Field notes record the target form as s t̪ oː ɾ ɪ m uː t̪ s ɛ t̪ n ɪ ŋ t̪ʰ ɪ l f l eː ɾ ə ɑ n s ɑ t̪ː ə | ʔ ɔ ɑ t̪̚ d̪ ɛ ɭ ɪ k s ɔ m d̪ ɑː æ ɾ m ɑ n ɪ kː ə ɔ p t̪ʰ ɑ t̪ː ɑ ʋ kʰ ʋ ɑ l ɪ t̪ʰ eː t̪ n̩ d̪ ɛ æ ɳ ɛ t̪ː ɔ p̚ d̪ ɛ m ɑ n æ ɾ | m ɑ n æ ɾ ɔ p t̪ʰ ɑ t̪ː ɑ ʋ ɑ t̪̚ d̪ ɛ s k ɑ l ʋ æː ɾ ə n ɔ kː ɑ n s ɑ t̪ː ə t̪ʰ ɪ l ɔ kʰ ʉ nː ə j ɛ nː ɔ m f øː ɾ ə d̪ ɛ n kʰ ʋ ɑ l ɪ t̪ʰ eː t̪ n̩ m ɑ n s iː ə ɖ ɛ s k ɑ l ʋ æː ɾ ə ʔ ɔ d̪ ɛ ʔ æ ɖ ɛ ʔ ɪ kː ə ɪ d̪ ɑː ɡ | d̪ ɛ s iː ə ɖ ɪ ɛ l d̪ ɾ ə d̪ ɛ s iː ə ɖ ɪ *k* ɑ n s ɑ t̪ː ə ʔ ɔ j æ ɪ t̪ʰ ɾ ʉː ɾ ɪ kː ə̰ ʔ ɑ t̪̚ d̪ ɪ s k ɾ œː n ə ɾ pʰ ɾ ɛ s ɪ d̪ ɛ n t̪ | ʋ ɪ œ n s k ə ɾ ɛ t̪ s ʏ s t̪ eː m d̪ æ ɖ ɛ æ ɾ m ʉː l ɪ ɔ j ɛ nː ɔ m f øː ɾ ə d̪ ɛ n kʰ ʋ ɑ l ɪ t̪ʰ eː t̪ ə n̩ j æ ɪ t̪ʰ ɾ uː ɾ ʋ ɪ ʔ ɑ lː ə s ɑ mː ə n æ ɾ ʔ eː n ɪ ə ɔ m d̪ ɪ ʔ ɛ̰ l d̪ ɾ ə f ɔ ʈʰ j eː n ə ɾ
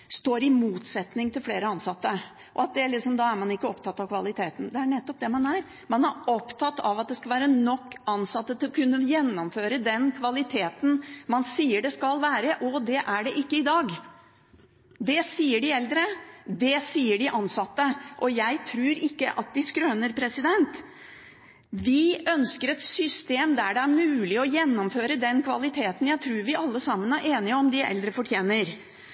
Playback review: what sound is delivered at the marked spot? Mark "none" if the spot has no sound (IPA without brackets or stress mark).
ʔ